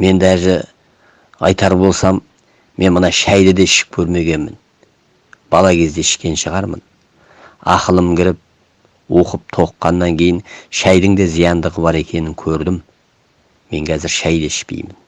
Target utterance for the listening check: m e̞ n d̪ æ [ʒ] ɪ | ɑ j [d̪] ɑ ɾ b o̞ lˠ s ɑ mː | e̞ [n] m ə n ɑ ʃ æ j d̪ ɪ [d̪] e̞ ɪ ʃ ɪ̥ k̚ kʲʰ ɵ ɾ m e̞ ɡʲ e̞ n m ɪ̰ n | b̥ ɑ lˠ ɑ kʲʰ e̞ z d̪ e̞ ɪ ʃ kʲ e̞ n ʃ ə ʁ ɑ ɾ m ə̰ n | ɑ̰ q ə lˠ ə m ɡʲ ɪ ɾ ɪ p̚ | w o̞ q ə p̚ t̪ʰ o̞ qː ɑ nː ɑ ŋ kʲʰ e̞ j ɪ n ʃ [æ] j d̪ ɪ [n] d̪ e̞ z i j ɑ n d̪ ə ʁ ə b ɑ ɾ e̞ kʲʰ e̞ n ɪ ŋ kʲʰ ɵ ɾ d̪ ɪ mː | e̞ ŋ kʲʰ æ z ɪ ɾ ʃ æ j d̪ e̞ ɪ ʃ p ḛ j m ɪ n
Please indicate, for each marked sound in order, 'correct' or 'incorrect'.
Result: correct, incorrect, correct, correct, correct, incorrect

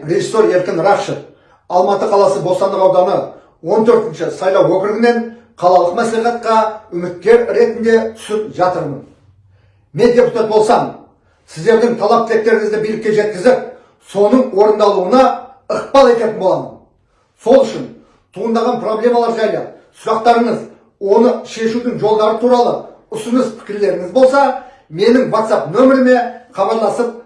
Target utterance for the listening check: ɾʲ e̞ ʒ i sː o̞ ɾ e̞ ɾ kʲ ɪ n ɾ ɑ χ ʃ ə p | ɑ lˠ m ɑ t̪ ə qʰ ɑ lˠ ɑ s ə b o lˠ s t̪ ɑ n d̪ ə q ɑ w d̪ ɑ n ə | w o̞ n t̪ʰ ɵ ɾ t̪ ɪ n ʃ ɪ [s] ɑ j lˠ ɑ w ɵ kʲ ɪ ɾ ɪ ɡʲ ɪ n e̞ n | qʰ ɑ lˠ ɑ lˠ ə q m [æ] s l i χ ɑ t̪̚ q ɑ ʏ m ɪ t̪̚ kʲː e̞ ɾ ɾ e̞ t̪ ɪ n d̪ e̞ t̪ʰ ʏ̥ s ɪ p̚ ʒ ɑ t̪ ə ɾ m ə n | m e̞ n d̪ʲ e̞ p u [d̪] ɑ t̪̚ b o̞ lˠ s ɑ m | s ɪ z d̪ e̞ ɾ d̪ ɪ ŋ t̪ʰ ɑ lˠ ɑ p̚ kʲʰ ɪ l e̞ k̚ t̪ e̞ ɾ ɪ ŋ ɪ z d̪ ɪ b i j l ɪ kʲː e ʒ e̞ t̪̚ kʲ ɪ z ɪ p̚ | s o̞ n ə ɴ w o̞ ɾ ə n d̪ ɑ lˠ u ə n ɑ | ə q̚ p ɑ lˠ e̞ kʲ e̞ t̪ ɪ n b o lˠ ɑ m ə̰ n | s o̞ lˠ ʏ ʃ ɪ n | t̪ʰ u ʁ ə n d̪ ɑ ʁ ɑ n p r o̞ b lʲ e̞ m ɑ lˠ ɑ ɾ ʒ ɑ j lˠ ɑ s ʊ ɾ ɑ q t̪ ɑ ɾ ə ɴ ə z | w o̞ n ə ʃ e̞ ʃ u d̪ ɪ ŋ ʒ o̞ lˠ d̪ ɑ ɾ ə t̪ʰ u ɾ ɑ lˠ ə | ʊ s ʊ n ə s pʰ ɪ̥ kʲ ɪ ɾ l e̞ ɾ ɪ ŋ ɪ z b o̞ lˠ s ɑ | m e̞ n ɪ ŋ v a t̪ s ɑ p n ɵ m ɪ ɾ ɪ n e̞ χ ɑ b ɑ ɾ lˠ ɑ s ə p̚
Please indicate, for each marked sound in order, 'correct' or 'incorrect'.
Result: correct, correct, incorrect

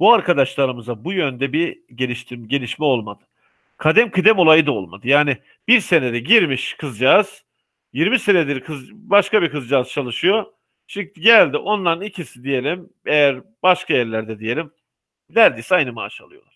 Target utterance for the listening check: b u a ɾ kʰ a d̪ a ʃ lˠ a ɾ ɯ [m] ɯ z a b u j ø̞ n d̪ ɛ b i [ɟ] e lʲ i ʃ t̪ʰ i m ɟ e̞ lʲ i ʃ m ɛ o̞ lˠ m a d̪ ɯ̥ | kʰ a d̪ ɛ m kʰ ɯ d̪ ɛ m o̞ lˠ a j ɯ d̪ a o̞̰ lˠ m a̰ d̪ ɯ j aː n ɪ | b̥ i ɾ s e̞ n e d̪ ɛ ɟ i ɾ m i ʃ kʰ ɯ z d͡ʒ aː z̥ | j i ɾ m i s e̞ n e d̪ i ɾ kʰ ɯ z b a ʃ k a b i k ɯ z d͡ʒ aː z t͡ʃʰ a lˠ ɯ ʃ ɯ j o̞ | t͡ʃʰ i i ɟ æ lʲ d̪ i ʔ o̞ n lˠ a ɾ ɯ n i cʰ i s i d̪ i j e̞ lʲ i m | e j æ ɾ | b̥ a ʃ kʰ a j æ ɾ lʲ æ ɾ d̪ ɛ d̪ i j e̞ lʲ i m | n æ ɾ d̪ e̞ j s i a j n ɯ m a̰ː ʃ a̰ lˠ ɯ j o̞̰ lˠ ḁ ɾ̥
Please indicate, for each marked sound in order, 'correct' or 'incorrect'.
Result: correct, correct

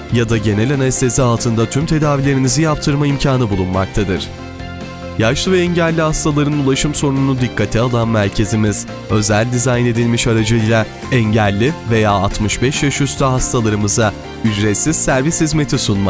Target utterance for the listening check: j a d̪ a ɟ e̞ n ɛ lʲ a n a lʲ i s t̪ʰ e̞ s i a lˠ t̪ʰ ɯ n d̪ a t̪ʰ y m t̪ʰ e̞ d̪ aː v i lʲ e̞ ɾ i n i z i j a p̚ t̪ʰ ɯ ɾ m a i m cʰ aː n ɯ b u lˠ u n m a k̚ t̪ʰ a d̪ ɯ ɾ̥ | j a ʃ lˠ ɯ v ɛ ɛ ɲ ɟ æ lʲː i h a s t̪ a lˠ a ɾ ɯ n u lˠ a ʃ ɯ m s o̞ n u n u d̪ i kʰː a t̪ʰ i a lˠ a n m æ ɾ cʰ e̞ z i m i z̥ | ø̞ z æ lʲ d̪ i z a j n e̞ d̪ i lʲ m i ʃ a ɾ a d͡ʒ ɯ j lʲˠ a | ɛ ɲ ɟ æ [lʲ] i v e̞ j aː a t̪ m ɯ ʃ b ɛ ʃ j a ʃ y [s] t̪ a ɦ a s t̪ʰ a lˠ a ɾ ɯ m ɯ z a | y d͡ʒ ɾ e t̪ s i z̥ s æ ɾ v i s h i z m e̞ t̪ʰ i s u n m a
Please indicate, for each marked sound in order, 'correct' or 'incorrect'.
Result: incorrect, correct

